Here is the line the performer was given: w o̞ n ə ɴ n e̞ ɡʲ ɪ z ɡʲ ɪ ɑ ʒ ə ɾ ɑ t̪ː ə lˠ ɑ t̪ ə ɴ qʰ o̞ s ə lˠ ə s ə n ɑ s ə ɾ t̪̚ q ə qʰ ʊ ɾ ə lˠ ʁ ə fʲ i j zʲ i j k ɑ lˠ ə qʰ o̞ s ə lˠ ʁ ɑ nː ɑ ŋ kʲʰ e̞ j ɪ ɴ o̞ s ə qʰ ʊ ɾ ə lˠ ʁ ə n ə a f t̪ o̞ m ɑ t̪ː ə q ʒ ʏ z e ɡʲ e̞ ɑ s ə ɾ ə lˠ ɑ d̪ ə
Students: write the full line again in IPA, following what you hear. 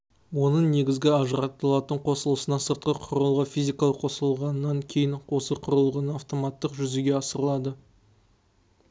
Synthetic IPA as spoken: w o̞ n ə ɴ n e̞ ɡʲ ɪ z ɡʲ ɪ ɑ ʒ ə ɾ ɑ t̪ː ə lˠ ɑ t̪ ə ɴ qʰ o̞ s ə lˠ ə s ə n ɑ s ə ɾ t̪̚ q ə qʰ ʊ ɾ ə lˠ ʁ ə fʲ i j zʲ i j k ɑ lˠ ə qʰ o̞ s ə lˠ ʁ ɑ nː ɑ ŋ kʲʰ e̞ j ɪ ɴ o̞ s ə qʰ ʊ ɾ ə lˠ ʁ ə n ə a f t̪ o̞ m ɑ t̪ː ə q ʒ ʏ z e ɡʲ e̞ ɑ s ə ɾ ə lˠ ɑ d̪ ə